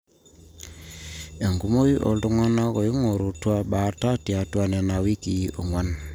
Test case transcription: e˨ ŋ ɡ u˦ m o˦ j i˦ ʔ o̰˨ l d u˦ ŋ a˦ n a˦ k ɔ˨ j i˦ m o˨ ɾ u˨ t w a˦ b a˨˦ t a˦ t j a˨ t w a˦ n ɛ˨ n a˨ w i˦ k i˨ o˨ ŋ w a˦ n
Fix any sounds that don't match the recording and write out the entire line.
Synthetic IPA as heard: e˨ ŋ ɡ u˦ m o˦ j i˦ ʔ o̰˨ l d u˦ ŋ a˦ n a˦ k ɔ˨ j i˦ ŋ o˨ ɾ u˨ t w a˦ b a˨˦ t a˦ t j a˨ t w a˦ n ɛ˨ n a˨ w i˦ k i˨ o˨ ŋ w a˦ n